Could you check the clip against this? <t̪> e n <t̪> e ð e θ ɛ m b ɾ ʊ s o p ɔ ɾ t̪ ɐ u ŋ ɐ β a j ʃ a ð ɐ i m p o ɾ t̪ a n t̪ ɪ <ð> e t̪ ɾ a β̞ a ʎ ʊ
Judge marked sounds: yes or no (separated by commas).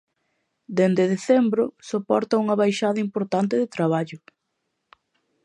no, no, yes